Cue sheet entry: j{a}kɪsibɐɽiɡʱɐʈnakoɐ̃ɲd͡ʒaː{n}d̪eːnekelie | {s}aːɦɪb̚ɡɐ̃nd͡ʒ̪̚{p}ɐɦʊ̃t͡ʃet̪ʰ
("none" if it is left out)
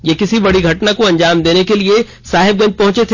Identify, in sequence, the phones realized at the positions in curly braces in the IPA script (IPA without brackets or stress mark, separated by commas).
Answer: e, m, s, p